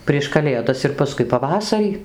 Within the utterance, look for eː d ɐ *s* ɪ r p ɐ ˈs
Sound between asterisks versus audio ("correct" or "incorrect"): correct